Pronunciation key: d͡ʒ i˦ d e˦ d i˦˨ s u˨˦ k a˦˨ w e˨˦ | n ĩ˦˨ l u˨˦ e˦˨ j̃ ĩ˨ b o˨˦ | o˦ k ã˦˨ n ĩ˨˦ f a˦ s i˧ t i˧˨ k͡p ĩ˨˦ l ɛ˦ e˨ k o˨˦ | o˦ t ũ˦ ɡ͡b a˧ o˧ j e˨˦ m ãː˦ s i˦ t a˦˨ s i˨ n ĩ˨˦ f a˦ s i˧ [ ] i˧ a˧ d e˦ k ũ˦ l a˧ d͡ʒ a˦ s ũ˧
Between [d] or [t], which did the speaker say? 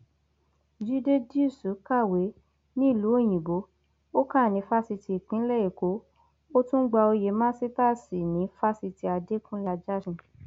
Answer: t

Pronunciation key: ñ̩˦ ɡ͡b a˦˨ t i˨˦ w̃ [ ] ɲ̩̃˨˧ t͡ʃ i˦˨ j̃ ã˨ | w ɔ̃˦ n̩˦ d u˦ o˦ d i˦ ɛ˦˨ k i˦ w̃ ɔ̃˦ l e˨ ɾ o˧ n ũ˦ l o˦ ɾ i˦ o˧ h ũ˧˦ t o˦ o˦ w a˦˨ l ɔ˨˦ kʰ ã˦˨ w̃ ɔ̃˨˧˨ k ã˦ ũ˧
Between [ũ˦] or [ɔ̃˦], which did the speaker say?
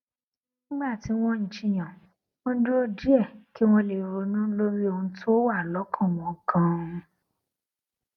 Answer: ɔ̃˦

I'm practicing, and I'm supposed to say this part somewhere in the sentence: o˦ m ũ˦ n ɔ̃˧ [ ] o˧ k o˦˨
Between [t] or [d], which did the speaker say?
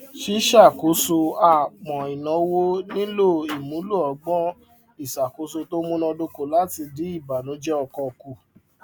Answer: d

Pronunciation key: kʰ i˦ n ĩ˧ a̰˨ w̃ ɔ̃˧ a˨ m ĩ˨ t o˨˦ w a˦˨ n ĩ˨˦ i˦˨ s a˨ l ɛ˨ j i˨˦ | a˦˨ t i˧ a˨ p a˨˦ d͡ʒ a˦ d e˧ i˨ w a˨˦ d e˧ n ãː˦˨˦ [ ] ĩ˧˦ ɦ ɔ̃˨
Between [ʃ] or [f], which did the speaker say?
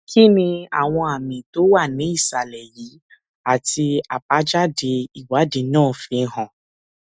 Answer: f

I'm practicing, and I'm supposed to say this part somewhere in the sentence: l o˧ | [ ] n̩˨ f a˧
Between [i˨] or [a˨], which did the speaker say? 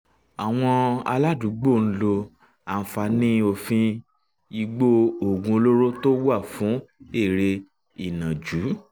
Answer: a˨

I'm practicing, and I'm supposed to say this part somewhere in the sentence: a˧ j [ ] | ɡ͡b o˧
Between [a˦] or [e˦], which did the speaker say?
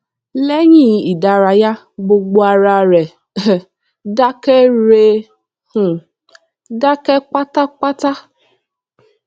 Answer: a˦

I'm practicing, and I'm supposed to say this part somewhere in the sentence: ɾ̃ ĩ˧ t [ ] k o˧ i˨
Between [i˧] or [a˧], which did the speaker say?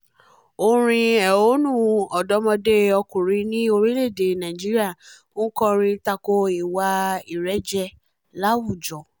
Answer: a˧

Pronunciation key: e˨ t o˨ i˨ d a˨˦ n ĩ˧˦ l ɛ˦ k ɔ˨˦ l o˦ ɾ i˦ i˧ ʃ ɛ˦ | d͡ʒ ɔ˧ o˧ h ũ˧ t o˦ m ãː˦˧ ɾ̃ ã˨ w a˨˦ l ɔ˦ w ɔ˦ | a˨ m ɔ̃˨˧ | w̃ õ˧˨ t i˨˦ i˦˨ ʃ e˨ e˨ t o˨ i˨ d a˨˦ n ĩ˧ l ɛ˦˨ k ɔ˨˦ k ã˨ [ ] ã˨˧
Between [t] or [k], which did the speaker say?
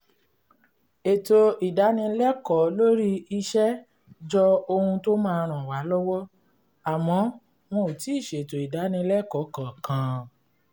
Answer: k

